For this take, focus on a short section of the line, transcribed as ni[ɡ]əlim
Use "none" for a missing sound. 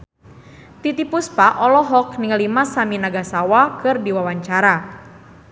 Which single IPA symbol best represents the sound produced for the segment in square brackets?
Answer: ŋ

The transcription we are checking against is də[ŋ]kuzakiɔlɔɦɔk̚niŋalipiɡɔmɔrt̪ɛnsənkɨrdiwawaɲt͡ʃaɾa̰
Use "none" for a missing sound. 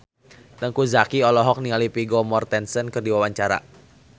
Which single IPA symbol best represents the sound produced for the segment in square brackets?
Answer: ŋ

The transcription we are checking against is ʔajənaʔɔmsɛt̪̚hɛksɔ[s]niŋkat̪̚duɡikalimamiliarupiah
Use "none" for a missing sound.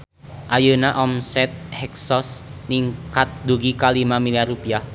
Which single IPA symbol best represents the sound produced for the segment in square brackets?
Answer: s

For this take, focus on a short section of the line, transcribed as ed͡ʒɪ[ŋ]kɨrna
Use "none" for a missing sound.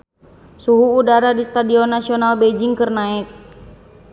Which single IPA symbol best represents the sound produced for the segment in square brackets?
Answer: ŋ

